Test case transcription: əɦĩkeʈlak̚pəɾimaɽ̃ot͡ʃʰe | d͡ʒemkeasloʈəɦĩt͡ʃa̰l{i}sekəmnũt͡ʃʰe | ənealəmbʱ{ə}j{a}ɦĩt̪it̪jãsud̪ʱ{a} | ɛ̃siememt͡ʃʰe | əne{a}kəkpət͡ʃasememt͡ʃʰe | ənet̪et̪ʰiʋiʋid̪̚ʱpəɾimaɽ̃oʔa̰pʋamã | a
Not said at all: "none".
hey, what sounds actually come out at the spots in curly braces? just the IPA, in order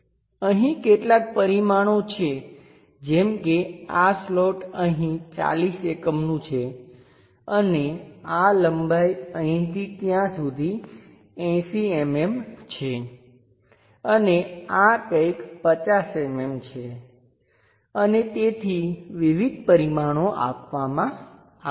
i, a, ə, i, a

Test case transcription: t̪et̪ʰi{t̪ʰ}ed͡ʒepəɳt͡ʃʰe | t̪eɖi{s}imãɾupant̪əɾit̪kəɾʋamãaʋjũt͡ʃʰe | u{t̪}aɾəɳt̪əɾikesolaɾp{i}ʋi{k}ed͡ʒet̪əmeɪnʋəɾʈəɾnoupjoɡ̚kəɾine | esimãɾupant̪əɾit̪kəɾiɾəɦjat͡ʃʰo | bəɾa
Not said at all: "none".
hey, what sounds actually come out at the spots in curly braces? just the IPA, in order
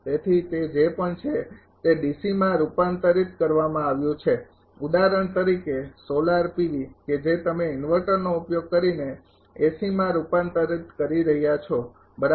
t̪, s, d̪, i, k

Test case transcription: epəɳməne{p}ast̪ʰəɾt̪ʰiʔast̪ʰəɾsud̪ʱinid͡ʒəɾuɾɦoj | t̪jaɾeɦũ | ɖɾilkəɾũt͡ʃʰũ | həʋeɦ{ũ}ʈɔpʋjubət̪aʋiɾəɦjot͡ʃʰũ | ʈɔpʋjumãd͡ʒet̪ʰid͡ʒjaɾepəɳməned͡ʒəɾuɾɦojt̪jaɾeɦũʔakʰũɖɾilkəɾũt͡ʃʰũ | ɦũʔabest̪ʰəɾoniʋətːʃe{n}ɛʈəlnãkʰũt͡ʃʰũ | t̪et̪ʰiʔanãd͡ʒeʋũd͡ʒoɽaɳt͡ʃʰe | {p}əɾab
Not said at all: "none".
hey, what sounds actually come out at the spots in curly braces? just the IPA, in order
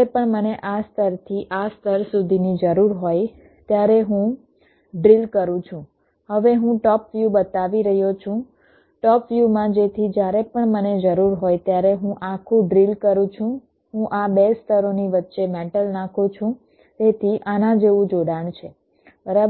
ʔ, ũ, m, b

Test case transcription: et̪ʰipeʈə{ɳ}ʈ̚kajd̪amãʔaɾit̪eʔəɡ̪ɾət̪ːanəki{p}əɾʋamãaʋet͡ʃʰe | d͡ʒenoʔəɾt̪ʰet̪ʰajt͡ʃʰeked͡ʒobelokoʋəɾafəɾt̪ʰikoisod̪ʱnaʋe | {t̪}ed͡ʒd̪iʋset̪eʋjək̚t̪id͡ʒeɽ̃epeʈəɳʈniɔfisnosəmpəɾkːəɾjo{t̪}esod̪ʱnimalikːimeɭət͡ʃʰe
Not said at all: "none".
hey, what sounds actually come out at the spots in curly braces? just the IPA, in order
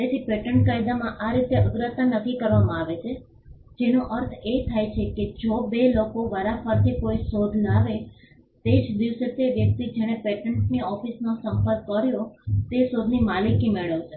ɳ, k, t̪, t̪

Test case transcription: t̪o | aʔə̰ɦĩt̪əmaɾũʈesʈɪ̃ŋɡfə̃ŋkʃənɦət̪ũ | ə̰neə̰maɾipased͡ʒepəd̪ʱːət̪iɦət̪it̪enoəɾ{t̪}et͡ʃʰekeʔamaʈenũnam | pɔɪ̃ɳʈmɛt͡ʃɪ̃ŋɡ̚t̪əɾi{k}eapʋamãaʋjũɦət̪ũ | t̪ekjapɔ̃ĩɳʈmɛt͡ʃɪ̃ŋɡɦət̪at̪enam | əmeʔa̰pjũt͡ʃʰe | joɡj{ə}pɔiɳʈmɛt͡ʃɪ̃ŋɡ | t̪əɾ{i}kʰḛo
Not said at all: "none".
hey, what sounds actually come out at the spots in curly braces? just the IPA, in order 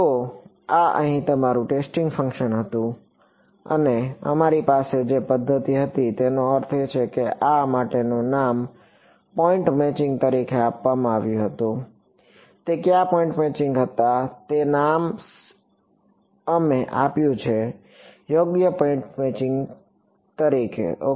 t̪ʰ, kʰ, ə, i

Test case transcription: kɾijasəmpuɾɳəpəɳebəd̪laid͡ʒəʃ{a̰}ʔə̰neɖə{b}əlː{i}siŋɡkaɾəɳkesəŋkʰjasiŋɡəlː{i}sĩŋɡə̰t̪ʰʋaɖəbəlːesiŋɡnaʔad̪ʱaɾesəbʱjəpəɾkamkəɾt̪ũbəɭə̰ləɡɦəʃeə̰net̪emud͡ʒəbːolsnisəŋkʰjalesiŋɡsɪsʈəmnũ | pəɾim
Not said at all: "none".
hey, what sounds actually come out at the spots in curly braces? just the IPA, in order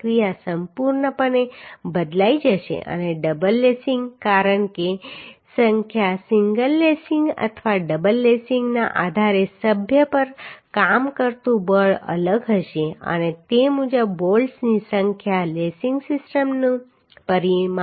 ḛ, b, e, e

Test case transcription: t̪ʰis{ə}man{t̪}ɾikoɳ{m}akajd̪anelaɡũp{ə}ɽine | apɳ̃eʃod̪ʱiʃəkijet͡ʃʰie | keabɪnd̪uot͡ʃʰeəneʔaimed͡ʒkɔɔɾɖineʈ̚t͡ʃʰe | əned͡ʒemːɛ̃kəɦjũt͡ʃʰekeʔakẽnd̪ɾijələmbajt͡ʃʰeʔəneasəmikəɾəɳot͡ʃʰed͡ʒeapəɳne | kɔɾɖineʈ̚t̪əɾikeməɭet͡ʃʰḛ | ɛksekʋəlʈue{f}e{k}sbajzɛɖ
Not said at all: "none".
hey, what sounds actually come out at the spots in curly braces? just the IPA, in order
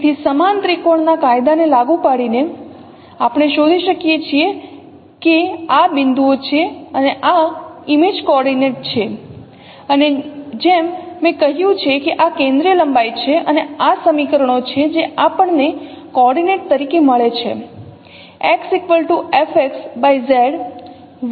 ə, t̪, n, a, f, k

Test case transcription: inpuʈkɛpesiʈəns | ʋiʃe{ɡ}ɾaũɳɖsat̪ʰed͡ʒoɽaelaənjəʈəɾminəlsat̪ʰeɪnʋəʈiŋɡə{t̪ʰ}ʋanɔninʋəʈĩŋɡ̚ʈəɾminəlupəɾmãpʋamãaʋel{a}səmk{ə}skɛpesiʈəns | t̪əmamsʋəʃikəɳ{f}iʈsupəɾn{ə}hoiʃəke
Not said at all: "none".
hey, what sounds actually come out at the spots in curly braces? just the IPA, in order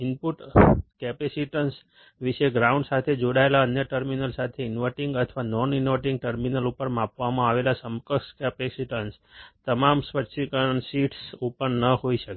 ɡ, t̪ʰ, a, ə, s, ə

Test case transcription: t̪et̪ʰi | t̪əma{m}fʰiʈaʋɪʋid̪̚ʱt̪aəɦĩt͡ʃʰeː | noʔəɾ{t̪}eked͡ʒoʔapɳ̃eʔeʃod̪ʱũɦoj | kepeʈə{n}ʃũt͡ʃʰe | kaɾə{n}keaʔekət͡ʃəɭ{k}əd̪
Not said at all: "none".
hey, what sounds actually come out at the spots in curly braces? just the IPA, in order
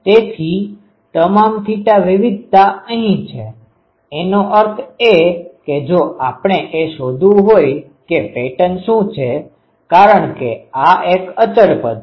m, t̪ʰ, n, ɳ, p

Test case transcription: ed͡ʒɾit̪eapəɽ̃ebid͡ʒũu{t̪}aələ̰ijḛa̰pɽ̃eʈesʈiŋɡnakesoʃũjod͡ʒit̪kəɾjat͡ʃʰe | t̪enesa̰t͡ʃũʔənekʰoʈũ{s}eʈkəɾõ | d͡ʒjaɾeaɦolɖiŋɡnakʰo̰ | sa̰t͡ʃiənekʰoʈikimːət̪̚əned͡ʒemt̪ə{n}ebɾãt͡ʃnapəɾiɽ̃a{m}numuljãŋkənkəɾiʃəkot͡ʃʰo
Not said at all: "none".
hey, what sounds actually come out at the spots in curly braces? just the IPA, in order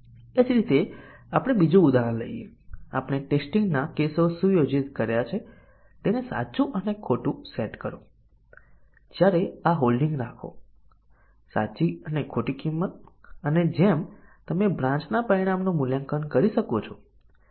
d̪, s, m, m

